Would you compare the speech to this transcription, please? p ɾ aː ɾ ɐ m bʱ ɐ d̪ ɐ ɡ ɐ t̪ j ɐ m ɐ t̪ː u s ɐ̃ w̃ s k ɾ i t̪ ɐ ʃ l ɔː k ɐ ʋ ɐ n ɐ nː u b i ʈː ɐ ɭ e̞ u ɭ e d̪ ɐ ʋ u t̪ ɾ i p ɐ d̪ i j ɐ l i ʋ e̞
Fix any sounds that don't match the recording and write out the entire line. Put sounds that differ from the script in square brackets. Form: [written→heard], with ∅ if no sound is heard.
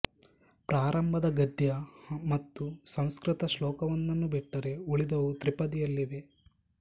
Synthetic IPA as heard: p ɾ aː ɾ ɐ m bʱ ɐ d̪ ɐ ɡ ɐ [t̪→d̪] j ɐ m ɐ t̪ː u s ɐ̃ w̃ s k ɾ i t̪ ɐ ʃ l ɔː k ɐ ʋ ɐ [n→nː] ɐ nː u b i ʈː ɐ [ɭ→ɾ] e̞ u ɭ [e→i] d̪ ɐ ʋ u t̪ ɾ i p ɐ d̪ i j ɐ [l→lː] i ʋ e̞